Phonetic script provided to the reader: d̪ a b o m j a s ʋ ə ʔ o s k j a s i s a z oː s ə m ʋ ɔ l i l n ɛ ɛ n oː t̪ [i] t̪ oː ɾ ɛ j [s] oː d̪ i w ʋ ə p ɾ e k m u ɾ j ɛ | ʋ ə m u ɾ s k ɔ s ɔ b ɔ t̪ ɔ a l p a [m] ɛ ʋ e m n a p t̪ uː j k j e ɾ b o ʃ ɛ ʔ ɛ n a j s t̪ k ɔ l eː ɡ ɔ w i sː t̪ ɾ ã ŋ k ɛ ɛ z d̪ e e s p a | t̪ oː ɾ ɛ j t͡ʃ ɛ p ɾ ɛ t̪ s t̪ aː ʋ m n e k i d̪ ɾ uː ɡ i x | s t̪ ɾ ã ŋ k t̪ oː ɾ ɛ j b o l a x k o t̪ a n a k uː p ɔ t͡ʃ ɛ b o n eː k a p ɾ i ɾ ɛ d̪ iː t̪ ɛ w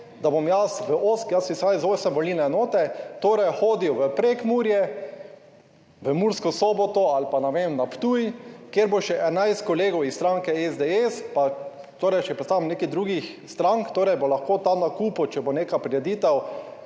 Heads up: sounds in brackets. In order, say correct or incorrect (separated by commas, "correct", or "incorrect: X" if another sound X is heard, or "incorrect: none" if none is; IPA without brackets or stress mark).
incorrect: ɛ, incorrect: x, incorrect: n